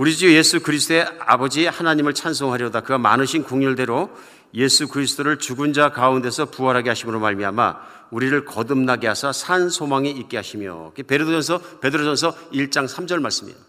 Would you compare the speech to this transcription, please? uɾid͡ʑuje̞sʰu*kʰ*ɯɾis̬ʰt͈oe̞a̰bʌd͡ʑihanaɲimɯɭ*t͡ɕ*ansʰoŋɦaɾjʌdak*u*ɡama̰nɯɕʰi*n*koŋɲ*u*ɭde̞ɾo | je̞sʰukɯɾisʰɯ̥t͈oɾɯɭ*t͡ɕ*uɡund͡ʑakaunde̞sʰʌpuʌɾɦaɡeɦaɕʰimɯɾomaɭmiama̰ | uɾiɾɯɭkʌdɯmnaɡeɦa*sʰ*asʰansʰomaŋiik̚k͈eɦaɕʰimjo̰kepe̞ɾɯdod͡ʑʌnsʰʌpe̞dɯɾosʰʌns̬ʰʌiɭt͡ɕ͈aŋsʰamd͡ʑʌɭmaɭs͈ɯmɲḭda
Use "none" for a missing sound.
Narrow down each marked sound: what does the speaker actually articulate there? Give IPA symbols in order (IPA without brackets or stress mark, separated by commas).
k, t͡ɕʰ, ɯ, n, u, t͡ɕ, sʰ